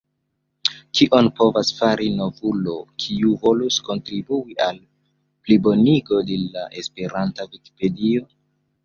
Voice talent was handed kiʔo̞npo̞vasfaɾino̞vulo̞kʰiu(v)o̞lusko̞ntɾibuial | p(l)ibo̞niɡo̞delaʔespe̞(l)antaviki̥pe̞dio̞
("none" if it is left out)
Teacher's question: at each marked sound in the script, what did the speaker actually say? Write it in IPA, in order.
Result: v, l, ɾ

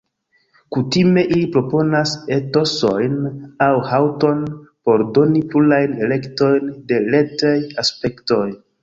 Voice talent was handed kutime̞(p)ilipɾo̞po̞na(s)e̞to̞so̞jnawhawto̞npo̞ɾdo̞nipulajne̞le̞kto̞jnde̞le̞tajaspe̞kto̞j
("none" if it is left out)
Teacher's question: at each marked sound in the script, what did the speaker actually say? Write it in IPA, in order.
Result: ʔ, s

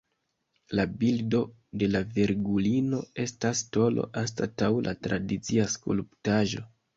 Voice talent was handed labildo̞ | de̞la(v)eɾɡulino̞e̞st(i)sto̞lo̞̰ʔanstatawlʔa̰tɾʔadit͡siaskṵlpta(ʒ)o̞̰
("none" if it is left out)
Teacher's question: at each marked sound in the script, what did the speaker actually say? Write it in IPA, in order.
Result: v, a, ʒ

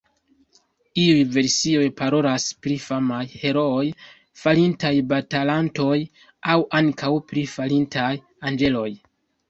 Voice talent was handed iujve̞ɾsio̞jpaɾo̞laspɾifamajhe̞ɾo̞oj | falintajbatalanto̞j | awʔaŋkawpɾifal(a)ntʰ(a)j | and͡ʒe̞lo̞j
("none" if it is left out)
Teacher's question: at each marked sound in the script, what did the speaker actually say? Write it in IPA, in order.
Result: i, a

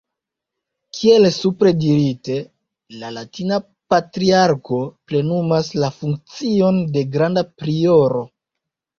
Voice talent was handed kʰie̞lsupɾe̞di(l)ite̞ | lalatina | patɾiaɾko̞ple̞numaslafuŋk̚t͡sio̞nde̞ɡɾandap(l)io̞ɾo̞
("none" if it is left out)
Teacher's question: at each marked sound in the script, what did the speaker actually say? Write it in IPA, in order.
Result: ɾ, ɾ

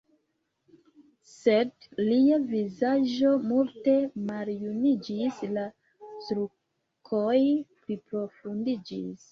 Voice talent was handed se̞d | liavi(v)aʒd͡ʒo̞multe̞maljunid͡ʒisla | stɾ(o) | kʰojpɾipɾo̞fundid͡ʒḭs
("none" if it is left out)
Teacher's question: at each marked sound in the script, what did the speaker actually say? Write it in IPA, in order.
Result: z, u

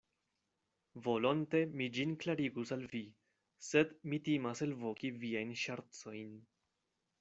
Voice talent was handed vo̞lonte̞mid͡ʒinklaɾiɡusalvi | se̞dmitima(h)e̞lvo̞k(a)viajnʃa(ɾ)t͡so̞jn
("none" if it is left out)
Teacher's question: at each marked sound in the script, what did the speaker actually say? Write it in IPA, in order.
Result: s, i, ɾ

